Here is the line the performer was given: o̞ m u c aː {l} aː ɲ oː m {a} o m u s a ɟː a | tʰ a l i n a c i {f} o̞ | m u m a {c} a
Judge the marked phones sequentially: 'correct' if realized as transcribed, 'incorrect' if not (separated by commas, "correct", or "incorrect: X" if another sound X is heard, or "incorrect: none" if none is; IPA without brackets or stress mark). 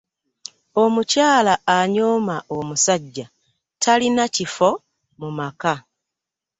correct, correct, correct, incorrect: k